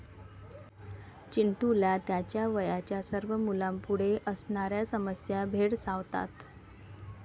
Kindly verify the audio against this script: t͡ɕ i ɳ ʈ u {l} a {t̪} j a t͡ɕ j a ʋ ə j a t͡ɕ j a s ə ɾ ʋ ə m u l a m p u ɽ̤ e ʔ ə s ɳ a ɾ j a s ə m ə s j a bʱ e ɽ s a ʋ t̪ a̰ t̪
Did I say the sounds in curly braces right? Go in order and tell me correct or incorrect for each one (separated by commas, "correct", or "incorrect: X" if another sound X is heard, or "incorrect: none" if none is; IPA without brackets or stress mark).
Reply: correct, correct